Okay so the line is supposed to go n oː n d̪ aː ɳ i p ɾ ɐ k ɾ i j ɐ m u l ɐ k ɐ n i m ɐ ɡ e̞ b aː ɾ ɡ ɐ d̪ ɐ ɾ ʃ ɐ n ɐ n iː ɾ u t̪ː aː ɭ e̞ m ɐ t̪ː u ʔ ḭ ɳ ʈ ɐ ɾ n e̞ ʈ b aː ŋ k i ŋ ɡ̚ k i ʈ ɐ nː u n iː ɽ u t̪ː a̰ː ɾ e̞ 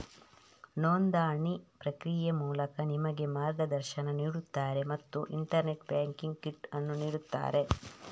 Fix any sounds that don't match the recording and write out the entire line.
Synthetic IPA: n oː n d̪ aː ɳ i p ɾ ɐ k ɾ i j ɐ m uː l ɐ k ɐ n i m ɐ ɡ e̞ m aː ɾ ɡ ɐ d̪ ɐ ɾ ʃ ɐ n ɐ n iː ɽ u t̪ː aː ɾ e̞ m ɐ t̪ː u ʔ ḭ ɳ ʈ ɐ ɾ n e̞ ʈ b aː ŋ k i ŋ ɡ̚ k i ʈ ɐ nː u n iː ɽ u t̪ː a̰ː ɾ e̞